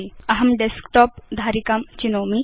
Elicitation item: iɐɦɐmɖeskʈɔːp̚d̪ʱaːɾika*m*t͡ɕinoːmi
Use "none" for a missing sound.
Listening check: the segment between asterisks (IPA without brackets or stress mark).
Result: m